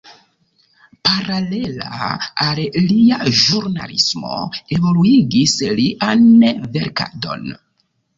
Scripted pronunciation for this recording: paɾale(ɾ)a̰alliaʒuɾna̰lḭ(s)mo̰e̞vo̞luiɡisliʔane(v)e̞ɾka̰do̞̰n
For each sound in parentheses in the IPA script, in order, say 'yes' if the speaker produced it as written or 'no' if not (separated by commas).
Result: no, yes, yes